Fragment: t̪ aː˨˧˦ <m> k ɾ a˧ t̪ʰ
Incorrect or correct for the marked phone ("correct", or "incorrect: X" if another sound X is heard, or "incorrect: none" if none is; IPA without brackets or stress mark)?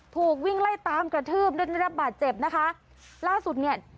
correct